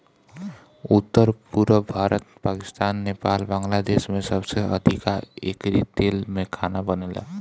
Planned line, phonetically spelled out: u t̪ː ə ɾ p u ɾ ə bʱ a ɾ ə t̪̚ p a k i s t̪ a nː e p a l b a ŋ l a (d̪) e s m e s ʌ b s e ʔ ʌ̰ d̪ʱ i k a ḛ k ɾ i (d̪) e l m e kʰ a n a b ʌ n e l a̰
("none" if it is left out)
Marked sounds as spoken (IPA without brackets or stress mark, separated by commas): d̪, t̪